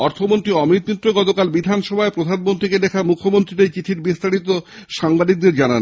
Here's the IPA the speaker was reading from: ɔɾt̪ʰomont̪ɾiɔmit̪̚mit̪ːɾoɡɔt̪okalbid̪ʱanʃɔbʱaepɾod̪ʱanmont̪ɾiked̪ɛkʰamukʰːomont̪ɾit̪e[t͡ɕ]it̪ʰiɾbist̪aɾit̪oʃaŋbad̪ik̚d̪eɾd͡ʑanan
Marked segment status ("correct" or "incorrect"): correct